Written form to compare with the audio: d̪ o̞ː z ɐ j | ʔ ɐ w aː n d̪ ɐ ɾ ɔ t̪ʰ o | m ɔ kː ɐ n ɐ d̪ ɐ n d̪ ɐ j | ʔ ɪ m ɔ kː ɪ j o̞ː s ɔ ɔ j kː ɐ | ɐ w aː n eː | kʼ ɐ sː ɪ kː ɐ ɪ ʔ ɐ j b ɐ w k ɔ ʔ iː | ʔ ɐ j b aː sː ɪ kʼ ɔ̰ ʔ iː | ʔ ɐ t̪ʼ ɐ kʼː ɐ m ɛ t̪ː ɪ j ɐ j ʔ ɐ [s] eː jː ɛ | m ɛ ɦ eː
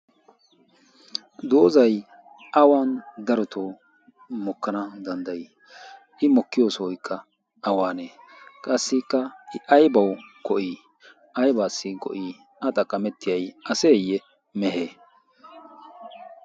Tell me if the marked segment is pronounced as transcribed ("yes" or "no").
yes